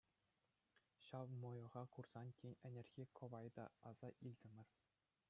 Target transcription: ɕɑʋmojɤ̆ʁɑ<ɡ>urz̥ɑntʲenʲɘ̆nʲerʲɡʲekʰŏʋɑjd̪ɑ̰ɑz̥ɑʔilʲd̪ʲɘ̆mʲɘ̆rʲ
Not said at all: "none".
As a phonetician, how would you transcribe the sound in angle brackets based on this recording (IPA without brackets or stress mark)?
k